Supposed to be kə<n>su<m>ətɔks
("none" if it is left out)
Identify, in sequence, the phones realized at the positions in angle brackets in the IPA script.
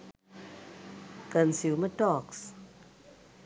n, m

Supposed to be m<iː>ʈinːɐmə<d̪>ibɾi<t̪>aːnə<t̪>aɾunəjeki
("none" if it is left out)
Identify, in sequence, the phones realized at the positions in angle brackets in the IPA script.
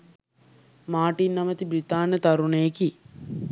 aː, t̪, t̪, t̪

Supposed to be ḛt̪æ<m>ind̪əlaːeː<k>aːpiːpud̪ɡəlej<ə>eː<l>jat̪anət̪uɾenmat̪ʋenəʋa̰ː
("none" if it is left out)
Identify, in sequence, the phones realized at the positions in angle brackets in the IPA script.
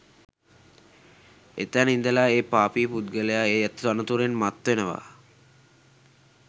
n, p, a, none

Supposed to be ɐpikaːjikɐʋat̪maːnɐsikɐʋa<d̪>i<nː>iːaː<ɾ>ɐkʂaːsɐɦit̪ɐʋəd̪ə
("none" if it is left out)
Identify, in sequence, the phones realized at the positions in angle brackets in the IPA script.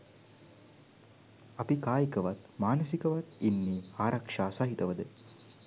t̪, nː, ɾ

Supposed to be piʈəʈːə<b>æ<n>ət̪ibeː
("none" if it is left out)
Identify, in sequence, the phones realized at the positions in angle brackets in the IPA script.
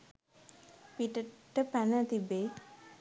p, n

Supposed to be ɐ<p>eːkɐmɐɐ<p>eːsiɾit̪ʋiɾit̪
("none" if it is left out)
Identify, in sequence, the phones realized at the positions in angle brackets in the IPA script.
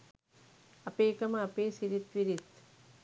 p, p

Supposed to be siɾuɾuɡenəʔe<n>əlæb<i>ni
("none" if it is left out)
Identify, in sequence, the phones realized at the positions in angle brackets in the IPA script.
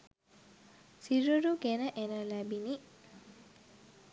n, i

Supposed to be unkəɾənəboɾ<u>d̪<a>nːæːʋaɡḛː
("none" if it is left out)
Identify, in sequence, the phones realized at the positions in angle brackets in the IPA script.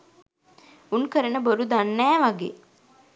u, a

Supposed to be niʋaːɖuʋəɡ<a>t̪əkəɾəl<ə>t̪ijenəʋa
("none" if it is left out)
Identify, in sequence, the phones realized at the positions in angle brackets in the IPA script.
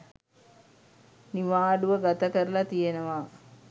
a, a

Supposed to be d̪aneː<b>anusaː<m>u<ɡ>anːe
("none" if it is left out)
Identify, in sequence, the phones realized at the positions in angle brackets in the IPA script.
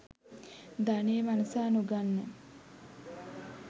m, n, ɡ

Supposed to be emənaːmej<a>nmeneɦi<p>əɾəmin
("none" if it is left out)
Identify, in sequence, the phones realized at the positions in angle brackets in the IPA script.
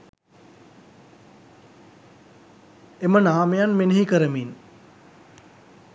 a, k

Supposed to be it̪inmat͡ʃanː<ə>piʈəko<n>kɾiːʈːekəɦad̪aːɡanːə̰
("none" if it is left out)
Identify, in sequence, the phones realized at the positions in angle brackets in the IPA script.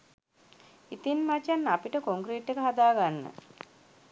a, ŋ

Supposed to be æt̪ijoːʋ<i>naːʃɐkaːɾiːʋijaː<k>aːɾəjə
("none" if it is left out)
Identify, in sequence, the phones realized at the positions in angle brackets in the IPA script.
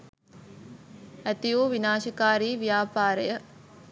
i, p

